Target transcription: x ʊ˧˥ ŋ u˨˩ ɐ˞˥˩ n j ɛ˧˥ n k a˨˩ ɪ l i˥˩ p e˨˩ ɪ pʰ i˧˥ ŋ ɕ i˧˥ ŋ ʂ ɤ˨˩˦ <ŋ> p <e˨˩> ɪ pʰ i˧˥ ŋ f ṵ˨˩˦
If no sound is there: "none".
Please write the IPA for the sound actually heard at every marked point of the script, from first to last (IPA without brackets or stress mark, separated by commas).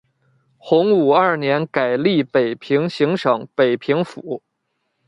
ŋ, e˨˩